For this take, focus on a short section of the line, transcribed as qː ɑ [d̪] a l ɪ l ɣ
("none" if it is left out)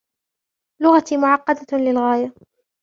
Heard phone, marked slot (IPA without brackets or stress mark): d̪